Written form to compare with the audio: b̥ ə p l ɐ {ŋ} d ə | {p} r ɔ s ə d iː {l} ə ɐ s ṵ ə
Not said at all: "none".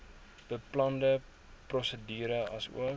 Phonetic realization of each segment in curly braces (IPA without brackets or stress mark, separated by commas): n, p, ɾ